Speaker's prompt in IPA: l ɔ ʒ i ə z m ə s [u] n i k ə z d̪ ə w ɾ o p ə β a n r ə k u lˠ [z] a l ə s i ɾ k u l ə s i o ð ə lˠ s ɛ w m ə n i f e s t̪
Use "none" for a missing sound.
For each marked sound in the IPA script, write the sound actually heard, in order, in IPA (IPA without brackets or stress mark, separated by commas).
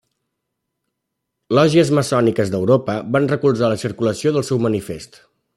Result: ɔ, z